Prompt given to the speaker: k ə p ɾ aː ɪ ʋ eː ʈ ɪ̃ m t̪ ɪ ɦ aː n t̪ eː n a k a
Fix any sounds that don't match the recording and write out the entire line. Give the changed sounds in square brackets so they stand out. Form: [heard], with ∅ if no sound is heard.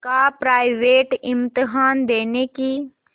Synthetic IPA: k [a] p ɾ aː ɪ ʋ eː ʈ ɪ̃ m t̪ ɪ ɦ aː n [d̪] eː n [e] k [i]